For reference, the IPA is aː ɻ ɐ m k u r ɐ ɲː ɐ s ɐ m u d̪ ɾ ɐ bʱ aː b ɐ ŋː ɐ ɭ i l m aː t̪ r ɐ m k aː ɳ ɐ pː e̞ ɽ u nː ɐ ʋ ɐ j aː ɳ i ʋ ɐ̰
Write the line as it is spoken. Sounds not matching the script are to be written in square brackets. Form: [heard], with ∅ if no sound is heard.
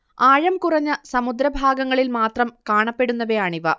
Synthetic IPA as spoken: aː ɻ ɐ m k u r ɐ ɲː ɐ s ɐ m u d̪ ɾ ɐ bʱ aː [ɡ] ɐ ŋː ɐ ɭ i l m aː t̪ r ɐ m k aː ɳ ɐ pː e̞ ɽ u nː ɐ ʋ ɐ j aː ɳ i ʋ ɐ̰